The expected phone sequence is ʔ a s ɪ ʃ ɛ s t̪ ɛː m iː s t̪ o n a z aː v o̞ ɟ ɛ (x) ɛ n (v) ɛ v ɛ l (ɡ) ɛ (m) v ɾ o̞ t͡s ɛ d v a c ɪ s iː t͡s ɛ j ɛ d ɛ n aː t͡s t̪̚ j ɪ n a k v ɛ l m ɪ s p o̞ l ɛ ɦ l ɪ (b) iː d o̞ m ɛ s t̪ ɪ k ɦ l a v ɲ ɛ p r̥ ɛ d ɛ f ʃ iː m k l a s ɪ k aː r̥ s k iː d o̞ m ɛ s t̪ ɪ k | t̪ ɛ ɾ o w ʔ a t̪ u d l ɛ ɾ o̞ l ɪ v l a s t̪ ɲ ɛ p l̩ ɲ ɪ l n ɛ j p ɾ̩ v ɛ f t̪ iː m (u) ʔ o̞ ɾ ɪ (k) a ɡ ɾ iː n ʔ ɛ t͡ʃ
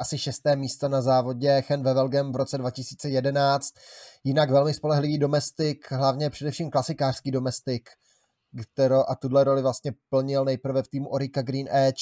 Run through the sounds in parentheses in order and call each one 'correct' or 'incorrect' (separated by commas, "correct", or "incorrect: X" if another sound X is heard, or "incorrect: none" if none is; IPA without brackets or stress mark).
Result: correct, correct, correct, correct, incorrect: v, correct, correct